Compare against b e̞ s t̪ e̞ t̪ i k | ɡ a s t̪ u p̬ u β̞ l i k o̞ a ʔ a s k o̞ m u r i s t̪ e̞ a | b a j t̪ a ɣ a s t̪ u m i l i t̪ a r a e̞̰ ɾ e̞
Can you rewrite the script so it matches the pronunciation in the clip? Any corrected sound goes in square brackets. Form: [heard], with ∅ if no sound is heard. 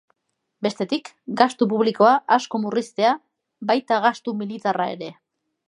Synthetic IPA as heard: b e̞ s t̪ e̞ t̪ i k | ɡ a s t̪ u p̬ u β̞ l i k o̞ a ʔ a s k o̞ m u r i s t̪ e̞ a | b a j t̪ a ɣ a s t̪ u m i l i t̪ a r a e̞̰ ɾ e̞